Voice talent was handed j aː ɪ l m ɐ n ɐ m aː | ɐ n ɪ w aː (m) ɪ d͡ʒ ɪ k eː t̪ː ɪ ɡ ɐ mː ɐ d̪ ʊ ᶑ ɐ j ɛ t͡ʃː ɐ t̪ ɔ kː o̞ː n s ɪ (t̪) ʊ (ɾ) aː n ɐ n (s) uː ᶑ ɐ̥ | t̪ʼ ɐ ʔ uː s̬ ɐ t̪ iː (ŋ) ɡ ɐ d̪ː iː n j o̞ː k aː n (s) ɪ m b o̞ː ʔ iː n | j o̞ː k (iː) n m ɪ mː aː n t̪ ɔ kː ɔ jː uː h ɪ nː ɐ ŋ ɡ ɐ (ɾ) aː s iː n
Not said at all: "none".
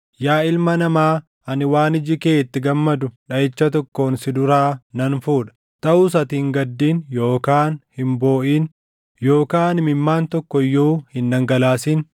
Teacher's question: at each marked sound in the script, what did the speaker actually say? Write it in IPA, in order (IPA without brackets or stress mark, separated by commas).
n, d̪, ɾ, f, ŋ, h, aː, l